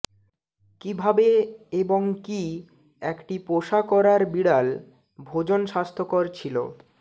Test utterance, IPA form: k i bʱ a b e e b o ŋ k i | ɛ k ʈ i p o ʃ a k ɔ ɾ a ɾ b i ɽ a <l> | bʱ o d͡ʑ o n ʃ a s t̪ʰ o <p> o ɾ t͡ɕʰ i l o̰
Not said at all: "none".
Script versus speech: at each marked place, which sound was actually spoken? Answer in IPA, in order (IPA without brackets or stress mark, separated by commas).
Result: l, k